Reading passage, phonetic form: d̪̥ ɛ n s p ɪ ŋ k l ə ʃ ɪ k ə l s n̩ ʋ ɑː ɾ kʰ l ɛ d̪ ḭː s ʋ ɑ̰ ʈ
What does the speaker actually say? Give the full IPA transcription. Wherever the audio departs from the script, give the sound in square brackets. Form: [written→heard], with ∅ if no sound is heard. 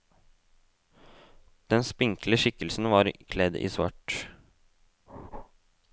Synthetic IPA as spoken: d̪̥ ɛ n s p ɪ ŋ k l ə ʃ ɪ k ə l s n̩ ʋ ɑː ɾ kʰ l ɛ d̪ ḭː s ʋ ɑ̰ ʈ